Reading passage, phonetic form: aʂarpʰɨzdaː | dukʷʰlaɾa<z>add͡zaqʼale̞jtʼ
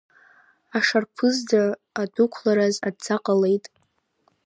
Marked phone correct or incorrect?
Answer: correct